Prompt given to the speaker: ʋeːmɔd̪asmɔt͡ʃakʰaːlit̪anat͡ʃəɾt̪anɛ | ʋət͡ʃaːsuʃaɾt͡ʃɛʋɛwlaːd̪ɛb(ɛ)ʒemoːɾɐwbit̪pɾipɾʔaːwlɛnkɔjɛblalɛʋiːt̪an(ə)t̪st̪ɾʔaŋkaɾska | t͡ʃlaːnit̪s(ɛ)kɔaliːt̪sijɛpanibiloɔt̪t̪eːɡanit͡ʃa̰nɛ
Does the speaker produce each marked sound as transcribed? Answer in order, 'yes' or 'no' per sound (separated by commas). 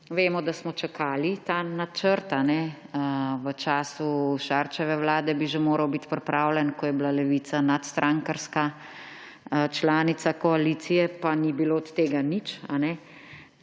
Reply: no, no, no